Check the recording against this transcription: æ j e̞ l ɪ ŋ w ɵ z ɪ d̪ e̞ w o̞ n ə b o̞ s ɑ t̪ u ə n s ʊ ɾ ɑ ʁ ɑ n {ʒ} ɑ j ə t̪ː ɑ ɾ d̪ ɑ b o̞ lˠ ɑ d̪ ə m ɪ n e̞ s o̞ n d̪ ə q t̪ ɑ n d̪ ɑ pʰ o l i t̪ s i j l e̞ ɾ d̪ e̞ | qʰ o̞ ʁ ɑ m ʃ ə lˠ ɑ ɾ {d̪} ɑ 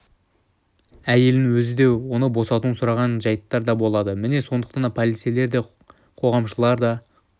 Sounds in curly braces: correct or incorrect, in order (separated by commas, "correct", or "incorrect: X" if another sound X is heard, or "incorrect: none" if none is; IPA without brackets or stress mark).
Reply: correct, correct